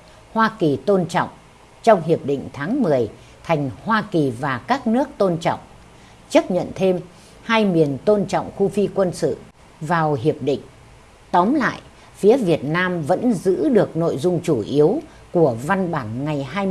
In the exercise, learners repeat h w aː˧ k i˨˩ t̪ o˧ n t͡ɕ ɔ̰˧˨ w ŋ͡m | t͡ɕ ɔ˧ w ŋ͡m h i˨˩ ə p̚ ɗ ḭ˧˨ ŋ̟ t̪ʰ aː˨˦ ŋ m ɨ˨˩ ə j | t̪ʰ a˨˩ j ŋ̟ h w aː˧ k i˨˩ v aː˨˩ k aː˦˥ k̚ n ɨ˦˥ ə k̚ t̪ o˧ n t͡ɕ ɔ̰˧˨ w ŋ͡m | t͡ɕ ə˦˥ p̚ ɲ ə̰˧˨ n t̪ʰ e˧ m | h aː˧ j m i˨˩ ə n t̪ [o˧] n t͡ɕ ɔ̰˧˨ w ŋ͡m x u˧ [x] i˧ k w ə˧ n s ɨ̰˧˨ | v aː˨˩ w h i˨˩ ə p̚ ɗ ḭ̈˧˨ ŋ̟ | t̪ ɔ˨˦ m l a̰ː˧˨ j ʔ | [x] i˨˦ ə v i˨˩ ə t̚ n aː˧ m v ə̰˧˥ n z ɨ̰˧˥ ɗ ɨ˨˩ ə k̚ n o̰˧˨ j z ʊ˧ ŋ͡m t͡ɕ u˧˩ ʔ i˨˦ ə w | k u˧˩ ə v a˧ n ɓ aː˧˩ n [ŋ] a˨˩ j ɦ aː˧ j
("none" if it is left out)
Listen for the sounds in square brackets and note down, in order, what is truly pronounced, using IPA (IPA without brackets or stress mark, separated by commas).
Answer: o˧, f, f, ŋ